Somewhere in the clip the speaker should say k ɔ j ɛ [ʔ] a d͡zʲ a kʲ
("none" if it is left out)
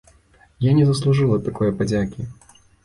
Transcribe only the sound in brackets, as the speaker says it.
p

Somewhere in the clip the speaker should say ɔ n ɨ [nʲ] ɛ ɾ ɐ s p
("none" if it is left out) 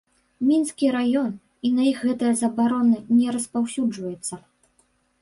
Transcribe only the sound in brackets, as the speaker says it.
nʲ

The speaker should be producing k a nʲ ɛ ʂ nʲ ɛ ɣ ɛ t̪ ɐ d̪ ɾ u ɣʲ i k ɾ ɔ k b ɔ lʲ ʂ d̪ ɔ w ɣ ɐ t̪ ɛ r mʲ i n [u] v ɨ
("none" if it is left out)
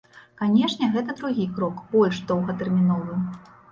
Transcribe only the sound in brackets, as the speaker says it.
ɔ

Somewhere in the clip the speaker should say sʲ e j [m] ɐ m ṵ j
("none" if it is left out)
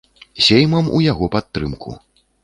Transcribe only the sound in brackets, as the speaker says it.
m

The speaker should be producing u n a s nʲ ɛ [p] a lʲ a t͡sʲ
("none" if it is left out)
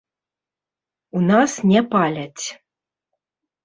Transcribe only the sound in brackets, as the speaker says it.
p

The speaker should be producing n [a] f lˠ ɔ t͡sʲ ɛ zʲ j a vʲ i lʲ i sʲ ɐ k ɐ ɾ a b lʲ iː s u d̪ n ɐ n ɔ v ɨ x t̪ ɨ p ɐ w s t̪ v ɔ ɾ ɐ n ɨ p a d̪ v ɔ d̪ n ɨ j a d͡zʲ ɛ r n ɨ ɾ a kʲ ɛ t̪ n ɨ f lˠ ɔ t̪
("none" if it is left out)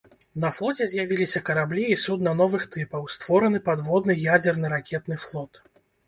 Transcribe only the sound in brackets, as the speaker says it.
ɐ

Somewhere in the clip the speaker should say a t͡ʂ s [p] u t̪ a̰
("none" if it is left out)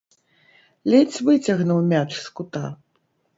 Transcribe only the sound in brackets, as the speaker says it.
k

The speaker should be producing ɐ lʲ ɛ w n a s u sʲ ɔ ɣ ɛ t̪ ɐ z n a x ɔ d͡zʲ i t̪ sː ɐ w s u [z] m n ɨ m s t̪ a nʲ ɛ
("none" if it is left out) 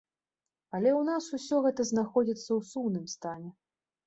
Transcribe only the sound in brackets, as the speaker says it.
none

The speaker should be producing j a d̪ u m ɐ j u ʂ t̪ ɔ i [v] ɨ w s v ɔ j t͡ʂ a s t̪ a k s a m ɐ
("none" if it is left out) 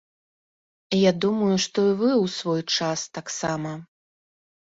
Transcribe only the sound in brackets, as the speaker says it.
v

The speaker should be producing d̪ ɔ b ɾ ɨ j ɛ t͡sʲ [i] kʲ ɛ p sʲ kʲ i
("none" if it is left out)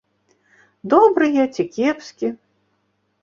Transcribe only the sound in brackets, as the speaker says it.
i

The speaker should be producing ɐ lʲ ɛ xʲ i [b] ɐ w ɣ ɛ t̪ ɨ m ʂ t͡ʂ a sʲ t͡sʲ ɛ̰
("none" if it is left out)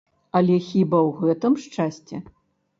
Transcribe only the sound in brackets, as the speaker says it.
b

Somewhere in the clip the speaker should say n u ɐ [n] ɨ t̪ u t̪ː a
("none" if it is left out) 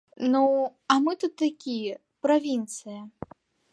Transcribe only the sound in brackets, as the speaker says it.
m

